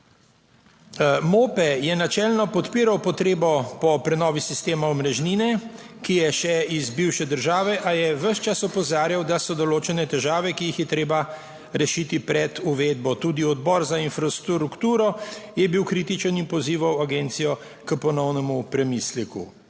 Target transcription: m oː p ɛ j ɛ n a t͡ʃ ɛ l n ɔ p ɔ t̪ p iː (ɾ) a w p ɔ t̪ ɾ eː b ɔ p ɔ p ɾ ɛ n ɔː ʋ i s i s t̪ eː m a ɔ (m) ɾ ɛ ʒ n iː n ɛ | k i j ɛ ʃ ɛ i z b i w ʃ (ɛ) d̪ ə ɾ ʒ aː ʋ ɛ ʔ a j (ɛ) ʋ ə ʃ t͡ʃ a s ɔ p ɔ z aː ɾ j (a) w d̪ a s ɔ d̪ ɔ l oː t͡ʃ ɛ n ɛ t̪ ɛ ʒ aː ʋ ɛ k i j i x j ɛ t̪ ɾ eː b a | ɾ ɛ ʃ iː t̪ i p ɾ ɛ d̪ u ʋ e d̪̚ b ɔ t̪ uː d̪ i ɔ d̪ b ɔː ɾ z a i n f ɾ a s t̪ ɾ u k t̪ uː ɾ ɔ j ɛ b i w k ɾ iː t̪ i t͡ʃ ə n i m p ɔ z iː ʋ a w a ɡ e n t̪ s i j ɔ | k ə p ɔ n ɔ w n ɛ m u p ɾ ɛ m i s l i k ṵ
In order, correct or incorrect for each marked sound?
correct, correct, correct, correct, correct

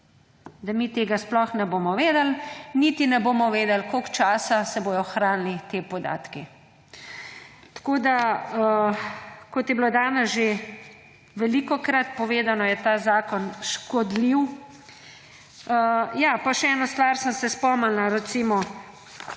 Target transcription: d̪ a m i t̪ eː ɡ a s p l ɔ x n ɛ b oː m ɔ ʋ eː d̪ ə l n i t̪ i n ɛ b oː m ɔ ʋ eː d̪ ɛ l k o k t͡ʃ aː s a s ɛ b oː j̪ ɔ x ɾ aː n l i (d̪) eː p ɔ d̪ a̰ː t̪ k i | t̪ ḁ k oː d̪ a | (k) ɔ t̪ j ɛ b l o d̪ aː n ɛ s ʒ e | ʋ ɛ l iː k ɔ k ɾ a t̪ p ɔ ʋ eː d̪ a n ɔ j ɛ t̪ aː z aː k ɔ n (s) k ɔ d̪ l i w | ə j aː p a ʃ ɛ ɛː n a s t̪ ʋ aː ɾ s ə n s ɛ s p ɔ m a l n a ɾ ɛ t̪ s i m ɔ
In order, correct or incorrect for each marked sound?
incorrect: t̪, correct, incorrect: ʃ

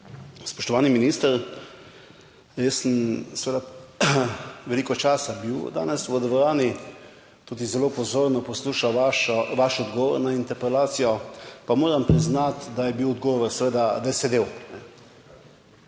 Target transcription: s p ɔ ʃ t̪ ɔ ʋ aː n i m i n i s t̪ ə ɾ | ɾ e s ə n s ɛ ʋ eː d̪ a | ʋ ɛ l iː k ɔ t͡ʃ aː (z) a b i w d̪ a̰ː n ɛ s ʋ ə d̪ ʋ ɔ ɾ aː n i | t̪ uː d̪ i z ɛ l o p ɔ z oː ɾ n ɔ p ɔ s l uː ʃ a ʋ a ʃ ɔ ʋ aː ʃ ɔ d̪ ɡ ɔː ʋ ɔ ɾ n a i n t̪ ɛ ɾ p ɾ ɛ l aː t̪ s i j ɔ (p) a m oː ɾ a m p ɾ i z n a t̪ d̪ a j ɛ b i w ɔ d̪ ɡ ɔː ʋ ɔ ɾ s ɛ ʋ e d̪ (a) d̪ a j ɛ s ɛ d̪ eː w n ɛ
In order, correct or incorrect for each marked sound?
incorrect: s, correct, correct

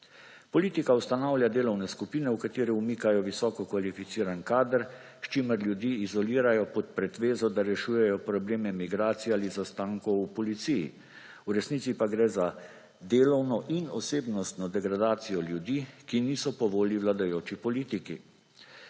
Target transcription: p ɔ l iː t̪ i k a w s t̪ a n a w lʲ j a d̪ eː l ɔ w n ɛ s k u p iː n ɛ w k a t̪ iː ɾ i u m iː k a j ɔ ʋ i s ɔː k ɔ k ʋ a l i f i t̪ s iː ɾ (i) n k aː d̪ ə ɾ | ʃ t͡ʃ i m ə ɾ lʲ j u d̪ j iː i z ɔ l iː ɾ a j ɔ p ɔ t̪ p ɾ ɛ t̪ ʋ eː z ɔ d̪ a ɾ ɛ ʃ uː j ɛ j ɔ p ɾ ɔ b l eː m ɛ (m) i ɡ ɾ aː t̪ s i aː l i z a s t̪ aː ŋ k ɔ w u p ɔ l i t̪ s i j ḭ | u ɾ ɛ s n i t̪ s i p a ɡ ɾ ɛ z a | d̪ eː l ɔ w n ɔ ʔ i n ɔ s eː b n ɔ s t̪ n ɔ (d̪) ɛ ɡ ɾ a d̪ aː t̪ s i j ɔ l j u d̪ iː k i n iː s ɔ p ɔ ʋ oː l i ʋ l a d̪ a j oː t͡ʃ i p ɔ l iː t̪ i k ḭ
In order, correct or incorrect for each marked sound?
incorrect: a, correct, correct

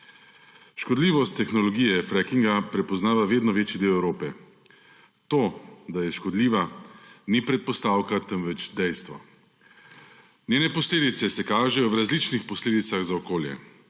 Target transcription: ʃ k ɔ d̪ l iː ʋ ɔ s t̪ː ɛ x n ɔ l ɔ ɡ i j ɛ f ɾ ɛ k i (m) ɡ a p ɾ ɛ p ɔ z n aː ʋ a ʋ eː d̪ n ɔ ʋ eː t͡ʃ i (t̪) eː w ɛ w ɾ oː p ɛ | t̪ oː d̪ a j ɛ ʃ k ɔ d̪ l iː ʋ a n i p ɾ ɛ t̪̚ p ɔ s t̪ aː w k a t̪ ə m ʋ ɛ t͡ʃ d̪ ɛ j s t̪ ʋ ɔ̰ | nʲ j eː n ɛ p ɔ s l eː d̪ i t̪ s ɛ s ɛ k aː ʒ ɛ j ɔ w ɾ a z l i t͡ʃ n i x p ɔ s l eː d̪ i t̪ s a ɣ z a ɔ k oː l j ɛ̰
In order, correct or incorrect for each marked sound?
incorrect: ŋ, incorrect: d̪

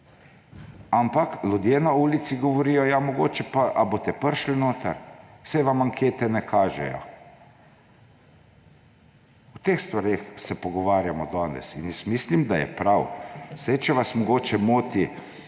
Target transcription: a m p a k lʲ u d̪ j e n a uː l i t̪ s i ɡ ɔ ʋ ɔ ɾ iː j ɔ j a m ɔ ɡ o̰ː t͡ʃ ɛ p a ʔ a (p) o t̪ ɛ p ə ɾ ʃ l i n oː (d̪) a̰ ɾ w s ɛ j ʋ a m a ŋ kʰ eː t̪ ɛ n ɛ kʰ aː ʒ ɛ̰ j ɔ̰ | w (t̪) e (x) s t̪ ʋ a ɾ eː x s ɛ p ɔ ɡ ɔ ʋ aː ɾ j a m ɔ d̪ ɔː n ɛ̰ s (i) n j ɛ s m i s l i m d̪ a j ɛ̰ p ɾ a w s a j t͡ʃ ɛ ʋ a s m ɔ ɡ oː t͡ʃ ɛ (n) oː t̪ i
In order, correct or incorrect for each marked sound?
incorrect: b, incorrect: t̪, correct, correct, correct, incorrect: m

